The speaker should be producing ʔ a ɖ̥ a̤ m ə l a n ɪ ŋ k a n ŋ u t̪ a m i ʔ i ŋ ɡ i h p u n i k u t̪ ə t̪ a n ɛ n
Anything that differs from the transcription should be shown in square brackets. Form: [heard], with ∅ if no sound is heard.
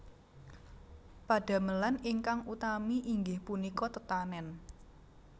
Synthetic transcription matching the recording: [p] a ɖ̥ a̤ m ə l a n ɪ ŋ k a [∅] ŋ u t̪ a m i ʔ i ŋ ɡ [ɪ] h p u n i k [ɔ] t̪ ə t̪ a n ɛ n